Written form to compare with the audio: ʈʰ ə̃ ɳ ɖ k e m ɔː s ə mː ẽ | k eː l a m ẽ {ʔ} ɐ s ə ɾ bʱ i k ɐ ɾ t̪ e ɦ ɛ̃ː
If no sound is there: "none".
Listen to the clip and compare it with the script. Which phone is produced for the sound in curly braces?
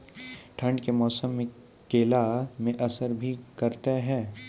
ʔ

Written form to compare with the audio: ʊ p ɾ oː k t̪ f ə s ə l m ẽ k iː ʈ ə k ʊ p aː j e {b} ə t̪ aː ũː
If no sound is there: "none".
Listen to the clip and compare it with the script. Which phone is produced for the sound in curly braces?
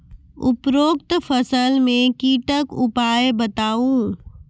b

